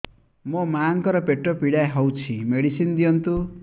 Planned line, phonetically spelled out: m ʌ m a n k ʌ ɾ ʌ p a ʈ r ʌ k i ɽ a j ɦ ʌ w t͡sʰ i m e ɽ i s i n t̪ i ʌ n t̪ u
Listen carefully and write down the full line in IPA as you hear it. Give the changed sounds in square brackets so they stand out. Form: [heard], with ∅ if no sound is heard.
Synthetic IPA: m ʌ m a [ŋ] k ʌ ɾ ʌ p [e] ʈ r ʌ [p] i ɽ a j ɦ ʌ w t͡sʰ i m e ɽ i s i n [d̪] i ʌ n t̪ u